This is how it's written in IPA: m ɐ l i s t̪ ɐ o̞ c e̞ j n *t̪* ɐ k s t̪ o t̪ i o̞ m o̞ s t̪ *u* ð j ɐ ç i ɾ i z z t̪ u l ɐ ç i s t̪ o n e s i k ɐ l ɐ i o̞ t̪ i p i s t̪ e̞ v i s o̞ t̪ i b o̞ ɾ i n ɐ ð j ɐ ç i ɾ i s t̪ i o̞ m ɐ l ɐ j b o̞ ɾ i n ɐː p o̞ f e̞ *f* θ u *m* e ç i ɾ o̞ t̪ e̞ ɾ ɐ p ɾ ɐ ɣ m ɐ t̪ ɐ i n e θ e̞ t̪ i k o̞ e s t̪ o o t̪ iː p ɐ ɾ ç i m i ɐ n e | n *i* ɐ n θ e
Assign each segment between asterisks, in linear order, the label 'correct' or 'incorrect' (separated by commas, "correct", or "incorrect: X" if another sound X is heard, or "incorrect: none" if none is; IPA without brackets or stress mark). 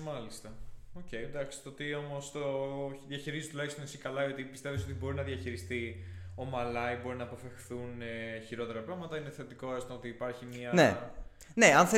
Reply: incorrect: d̪, incorrect: o, incorrect: x, incorrect: n, incorrect: e